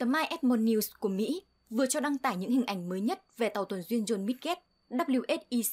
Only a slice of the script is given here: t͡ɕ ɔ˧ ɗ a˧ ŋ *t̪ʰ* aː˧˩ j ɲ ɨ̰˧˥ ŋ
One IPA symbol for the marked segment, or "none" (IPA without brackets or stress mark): t̪